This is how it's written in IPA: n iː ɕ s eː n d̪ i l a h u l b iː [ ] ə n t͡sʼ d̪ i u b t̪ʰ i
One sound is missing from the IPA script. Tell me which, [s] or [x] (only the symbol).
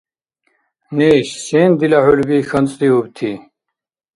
x